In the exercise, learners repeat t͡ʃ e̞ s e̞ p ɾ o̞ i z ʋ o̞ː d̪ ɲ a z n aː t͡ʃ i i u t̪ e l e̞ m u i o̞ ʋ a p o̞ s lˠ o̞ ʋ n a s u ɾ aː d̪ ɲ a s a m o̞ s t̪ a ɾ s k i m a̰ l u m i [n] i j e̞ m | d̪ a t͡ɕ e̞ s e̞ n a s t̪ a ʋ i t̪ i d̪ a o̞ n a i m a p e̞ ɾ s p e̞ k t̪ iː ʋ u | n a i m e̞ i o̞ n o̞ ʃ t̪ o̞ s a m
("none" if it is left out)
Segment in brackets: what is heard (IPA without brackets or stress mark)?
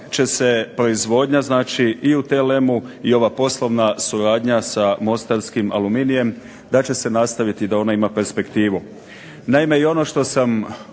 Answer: n